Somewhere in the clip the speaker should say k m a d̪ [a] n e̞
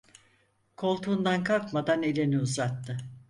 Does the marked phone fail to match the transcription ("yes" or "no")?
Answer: no